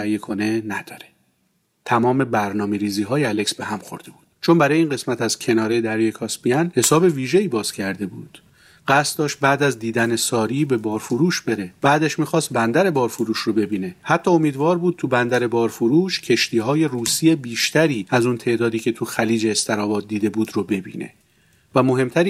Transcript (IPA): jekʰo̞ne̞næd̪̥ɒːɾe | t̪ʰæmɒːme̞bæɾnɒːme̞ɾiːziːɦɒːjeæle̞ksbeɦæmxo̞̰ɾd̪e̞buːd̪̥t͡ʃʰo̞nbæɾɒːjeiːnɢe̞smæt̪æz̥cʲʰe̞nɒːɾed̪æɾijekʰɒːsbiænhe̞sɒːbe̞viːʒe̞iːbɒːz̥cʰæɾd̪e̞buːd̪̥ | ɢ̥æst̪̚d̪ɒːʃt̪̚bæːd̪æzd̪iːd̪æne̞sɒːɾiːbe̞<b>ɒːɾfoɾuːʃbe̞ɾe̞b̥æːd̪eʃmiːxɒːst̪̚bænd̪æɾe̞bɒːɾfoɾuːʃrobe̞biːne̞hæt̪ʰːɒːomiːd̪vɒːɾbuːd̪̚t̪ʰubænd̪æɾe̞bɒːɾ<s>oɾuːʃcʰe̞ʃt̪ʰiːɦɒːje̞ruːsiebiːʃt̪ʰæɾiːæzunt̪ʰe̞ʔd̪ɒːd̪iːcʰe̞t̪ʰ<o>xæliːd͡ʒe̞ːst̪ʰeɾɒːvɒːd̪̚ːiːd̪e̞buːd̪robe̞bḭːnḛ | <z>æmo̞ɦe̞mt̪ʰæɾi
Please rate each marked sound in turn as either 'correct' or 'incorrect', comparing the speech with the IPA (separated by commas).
correct, incorrect, incorrect, incorrect